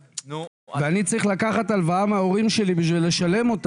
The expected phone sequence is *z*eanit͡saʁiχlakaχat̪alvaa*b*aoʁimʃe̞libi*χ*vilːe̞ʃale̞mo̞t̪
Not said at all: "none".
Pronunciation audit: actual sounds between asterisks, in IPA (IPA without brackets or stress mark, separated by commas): v, m, ʃ